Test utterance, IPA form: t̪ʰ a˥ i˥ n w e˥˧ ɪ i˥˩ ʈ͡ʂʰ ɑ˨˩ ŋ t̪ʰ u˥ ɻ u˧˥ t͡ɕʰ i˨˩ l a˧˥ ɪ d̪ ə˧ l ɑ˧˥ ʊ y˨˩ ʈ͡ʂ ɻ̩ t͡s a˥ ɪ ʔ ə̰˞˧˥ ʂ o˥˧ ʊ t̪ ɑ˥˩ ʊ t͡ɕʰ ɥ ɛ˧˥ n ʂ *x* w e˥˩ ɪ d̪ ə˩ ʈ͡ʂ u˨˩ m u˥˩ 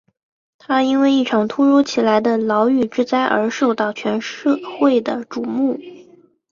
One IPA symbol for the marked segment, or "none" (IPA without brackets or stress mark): x